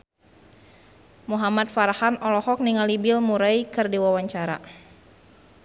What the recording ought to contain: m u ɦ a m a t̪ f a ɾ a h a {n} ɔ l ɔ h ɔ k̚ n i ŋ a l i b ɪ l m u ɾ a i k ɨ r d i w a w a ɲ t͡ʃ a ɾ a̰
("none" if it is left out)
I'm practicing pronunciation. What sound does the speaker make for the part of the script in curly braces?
n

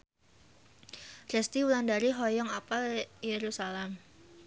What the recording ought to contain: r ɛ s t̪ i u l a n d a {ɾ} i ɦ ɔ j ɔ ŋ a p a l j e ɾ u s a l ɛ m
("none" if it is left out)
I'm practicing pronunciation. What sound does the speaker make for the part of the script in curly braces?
ɾ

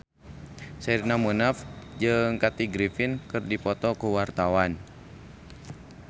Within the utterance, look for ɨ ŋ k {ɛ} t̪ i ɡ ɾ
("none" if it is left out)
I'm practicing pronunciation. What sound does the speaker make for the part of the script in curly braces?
a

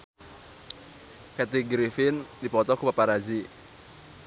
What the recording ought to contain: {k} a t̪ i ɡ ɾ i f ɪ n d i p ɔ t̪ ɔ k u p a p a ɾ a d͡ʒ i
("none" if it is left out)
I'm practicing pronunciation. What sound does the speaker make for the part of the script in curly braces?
k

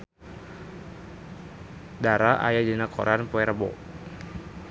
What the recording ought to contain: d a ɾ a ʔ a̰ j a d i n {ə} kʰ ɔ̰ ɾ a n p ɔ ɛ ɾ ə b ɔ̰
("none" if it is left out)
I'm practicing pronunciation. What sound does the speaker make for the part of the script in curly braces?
a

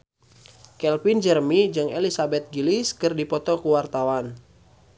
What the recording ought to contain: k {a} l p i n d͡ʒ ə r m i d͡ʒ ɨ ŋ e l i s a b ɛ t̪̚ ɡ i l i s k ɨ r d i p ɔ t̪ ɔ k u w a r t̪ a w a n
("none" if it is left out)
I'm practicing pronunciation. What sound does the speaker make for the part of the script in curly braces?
ɛ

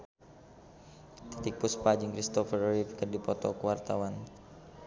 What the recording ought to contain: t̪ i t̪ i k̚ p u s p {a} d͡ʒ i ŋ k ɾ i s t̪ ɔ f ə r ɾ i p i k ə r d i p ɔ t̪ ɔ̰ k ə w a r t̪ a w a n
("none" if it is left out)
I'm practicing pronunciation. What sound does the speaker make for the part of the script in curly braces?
a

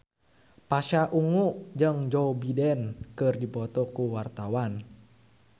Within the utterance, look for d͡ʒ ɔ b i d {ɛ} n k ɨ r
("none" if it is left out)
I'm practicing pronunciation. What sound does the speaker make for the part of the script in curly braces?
ɛ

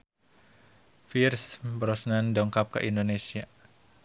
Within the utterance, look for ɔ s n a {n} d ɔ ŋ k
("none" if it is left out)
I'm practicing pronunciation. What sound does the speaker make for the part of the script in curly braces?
n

